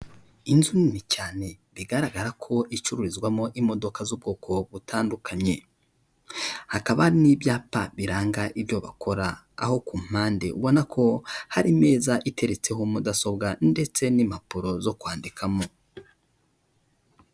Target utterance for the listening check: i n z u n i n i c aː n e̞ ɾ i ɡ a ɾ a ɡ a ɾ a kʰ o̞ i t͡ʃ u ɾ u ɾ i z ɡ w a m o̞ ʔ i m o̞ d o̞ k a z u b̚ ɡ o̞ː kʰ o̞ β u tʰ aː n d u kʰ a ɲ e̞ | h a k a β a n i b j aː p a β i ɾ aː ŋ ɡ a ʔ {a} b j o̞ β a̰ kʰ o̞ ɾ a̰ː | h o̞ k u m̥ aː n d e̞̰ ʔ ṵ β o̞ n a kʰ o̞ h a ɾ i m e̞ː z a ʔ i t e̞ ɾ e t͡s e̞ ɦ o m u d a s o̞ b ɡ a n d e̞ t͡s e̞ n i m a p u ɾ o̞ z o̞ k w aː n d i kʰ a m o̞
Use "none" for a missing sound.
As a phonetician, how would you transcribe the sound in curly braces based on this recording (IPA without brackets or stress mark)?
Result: i